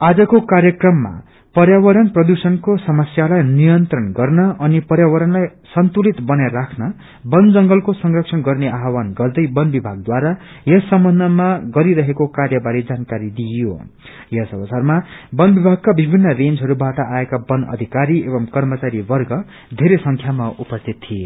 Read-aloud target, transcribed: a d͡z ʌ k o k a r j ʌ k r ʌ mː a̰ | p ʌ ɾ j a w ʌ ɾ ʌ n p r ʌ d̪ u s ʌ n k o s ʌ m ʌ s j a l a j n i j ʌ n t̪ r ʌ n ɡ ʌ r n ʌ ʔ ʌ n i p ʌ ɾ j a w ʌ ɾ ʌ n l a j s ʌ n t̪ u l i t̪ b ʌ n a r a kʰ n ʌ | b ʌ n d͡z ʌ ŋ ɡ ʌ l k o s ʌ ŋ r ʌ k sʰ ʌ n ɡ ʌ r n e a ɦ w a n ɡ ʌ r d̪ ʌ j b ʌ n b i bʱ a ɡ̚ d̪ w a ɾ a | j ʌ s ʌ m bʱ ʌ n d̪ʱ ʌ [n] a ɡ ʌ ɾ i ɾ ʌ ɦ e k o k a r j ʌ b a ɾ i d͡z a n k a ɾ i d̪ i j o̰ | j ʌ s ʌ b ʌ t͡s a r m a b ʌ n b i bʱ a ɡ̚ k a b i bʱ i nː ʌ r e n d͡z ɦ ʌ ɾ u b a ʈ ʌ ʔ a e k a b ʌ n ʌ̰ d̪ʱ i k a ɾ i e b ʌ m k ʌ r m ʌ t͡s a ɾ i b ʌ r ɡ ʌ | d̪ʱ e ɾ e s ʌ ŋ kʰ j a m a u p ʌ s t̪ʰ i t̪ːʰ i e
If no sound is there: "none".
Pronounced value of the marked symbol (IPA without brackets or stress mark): m